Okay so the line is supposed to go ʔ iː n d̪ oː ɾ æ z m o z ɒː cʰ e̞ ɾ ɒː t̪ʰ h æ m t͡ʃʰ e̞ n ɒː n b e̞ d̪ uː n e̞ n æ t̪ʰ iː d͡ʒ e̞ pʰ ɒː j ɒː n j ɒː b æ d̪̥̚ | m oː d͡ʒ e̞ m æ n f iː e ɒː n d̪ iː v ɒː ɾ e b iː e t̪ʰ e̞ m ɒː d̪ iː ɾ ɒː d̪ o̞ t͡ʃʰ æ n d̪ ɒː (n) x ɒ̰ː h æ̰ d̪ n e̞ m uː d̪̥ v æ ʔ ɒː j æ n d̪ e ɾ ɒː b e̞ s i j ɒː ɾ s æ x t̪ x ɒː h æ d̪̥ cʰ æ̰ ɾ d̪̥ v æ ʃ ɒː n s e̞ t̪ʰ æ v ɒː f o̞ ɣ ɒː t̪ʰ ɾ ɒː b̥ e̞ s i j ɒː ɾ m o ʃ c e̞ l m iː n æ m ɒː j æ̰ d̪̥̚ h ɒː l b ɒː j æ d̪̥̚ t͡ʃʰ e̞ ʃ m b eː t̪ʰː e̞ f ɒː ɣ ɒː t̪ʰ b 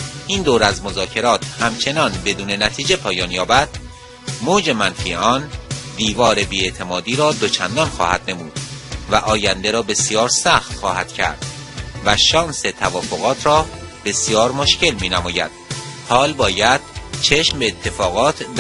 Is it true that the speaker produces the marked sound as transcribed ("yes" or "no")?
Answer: yes